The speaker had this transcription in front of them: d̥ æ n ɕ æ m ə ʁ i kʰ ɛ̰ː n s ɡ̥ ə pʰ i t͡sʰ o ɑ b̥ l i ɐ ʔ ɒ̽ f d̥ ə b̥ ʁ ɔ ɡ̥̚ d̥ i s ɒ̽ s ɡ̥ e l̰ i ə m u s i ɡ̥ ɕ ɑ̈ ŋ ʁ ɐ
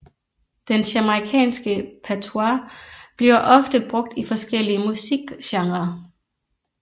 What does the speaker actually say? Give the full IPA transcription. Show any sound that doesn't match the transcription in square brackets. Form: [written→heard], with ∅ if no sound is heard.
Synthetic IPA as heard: d̥ [æ→e] n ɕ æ m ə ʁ i kʰ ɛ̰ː n s ɡ̥ ə pʰ [i→æ] t͡sʰ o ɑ b̥ l i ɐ ʔ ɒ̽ f d̥ ə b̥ ʁ ɔ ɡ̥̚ d̥ i [s→f] ɒ̽ s ɡ̥ e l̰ i ə m u s i ɡ̥ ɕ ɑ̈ ŋ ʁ ɐ

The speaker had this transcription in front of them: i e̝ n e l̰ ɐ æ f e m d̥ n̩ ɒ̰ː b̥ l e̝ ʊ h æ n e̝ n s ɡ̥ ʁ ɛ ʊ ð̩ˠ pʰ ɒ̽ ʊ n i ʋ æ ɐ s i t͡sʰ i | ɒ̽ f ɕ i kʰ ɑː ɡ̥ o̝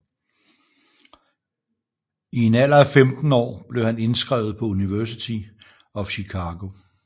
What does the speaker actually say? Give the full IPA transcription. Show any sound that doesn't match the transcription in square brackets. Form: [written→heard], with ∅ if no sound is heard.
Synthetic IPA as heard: i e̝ n [e→æ] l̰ ɐ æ f e m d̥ n̩ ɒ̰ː b̥ l e̝ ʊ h æ n e̝ n s ɡ̥ ʁ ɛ ʊ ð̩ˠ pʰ ɒ̽ [ʊ→u] n i ʋ æ ɐ s i t͡sʰ i | ɒ̽ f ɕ i kʰ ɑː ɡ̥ o̝

